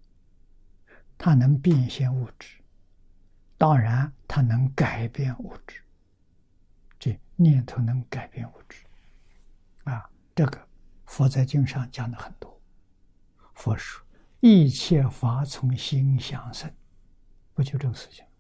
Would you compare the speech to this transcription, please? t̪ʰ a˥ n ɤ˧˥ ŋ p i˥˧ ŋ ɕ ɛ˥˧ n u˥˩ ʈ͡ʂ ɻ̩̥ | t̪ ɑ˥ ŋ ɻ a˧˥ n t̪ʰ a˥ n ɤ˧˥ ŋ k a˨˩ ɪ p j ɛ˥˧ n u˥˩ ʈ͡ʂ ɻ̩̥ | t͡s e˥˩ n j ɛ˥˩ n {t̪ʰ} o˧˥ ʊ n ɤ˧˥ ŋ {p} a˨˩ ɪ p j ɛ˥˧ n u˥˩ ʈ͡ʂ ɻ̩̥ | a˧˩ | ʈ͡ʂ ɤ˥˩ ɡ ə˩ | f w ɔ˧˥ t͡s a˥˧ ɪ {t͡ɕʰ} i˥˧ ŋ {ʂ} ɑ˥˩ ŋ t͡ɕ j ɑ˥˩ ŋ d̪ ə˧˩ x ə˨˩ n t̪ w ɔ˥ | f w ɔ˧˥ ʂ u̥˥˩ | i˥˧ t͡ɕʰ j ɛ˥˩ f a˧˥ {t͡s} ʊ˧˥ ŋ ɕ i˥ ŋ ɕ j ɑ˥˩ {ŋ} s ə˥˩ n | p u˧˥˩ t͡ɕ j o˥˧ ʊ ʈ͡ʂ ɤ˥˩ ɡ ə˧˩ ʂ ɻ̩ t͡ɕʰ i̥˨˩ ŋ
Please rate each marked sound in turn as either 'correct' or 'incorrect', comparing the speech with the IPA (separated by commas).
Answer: correct, incorrect, incorrect, correct, incorrect, correct